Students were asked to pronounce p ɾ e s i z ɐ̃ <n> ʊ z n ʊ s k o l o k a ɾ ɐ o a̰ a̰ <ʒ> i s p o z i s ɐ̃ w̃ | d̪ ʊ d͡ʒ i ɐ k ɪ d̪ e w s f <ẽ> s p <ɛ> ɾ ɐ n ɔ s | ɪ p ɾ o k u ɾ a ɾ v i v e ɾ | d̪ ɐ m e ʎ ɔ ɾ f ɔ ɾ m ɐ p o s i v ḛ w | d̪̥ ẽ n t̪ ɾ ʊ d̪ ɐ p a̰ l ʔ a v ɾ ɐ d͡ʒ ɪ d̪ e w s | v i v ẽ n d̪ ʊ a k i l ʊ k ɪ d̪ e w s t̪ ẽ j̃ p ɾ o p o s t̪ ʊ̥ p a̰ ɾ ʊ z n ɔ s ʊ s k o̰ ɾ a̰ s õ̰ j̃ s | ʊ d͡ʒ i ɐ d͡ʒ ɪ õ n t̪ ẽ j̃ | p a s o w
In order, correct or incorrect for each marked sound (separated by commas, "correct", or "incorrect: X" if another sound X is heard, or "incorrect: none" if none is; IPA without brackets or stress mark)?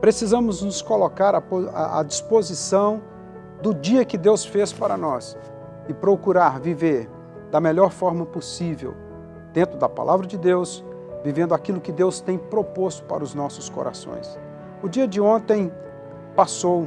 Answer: incorrect: m, incorrect: d͡ʒ, incorrect: e, incorrect: a